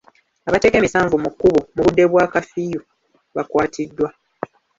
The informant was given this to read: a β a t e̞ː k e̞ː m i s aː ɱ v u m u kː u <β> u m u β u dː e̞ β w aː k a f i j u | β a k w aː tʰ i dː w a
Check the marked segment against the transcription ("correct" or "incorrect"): correct